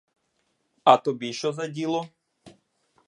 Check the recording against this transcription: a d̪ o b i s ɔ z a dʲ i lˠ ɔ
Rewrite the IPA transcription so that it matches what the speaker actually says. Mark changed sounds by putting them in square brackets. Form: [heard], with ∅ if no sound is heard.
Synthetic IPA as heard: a [t̪] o b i [ʃ] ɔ z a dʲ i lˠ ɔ